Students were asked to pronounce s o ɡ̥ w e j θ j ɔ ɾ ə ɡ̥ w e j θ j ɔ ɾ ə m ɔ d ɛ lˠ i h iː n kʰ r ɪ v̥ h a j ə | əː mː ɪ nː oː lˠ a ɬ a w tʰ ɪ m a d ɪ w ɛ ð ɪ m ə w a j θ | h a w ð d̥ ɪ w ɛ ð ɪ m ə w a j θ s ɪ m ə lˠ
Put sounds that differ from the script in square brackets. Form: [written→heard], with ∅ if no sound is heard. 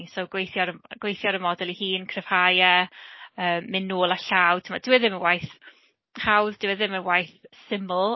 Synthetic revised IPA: s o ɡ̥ w e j θ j ɔ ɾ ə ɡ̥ w e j θ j ɔ ɾ ə m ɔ d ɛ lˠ i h iː n kʰ r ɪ v̥ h a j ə | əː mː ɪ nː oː lˠ a ɬ a w tʰ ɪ m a d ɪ w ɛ ð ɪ m ə w a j θ | h a w ð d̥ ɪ w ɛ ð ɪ m ə w a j θ s ɪ m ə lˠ